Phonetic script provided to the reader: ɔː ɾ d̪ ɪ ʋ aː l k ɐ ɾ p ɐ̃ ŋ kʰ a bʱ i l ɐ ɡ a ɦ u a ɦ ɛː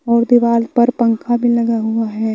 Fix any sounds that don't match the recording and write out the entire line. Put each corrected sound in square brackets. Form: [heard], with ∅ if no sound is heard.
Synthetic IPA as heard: ɔː ɾ d̪ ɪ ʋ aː l [p] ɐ ɾ p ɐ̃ ŋ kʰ a bʱ i l ɐ ɡ a ɦ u a ɦ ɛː